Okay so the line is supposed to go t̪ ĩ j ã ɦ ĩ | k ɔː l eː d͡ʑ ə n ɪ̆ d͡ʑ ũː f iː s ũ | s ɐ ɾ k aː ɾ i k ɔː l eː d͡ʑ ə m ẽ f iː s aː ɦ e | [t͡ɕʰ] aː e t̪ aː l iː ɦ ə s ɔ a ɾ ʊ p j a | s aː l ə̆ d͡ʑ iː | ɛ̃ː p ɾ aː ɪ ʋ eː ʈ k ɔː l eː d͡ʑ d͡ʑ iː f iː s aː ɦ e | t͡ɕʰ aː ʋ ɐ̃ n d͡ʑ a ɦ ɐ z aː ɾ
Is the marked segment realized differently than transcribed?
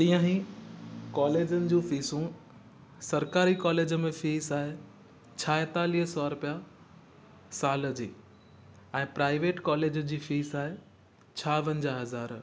no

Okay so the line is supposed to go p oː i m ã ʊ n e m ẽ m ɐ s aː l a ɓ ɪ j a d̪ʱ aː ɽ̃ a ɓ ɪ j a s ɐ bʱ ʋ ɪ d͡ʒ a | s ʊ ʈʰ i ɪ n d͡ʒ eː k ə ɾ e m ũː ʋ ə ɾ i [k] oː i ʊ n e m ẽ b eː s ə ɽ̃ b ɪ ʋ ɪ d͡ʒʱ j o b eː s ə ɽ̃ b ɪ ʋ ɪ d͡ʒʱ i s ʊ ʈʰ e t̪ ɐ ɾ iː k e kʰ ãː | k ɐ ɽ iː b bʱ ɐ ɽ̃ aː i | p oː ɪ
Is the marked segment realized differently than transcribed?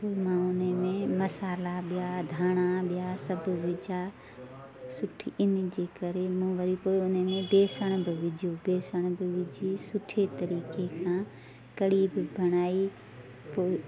yes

